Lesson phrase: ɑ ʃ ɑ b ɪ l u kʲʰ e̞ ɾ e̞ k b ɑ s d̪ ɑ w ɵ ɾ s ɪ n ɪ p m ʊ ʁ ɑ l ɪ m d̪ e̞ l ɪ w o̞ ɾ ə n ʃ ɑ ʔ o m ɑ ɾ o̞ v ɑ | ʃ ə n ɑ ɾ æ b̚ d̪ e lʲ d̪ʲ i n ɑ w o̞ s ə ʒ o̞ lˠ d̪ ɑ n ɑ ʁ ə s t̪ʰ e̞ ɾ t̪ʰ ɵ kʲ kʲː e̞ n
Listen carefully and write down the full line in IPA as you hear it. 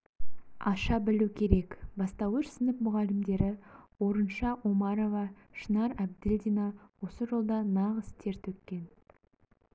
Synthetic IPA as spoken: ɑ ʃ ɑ b ɪ l u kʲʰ e̞ ɾ e̞ k b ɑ s t̪ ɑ w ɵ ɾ s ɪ n ɪ p m ʊ ʁ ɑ l ɪ m d̪ e̞ ɾ ɪ w o̞ ɾ ə n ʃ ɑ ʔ o m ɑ ɾ o̞ v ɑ | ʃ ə n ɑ ɾ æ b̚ d̪ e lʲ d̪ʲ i n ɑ w o̞ s ə ʒ o̞ lˠ d̪ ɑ n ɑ ʁ ə s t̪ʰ e̞ ɾ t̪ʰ ɵ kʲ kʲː e̞ n